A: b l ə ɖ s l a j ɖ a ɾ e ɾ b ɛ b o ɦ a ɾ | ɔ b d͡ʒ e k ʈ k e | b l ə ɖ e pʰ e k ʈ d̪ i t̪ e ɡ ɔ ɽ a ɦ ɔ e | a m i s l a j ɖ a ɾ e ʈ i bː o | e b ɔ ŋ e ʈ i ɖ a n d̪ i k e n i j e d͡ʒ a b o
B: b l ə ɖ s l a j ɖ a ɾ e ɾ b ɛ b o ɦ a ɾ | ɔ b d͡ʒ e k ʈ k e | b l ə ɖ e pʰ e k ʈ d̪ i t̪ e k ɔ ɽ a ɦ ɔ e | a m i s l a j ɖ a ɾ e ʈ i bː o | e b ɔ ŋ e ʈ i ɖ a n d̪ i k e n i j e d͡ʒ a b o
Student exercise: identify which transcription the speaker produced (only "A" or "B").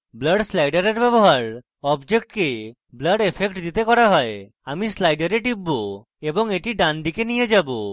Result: B